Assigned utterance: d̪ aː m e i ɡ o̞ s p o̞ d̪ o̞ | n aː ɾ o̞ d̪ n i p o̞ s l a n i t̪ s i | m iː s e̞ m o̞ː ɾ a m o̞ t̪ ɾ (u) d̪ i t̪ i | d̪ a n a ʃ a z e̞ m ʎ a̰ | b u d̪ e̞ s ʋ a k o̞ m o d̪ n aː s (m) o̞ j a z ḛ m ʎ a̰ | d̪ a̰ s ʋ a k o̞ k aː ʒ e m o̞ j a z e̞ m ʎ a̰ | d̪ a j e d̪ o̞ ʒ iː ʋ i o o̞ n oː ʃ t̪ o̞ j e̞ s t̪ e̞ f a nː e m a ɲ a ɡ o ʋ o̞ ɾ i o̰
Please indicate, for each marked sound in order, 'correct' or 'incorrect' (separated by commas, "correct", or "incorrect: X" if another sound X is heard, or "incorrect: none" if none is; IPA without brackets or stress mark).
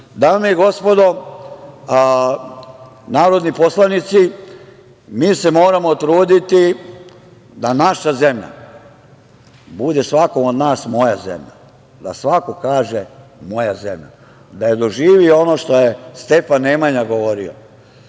incorrect: uː, correct